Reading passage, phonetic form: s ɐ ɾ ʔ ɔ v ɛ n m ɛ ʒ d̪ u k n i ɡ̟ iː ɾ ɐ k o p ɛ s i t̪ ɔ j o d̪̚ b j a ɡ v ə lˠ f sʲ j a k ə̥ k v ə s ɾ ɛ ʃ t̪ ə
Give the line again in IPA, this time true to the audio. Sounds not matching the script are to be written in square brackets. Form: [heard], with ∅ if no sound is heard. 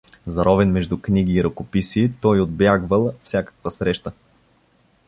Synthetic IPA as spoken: [z] ɐ ɾ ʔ ɔ v ɛ n m ɛ ʒ d̪ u k n i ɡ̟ iː ɾ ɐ k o p [i] s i t̪ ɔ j o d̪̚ b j a ɡ v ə lˠ f sʲ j a k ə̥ k v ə s ɾ ɛ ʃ t̪ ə